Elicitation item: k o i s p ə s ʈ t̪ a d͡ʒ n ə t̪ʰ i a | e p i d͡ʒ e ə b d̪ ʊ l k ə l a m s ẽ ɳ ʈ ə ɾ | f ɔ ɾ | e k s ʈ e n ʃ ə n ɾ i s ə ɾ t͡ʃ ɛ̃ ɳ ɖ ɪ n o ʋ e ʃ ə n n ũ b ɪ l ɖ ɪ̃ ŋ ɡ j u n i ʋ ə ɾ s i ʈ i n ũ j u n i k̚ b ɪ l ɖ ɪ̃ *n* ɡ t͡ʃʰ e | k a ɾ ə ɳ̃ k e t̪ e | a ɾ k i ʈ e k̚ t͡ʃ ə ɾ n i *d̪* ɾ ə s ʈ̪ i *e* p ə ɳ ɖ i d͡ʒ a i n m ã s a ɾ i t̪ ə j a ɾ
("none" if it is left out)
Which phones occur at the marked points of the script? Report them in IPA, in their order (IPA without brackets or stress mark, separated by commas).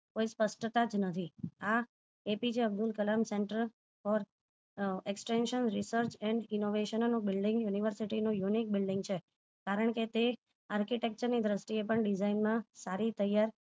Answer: ŋ, d̪, e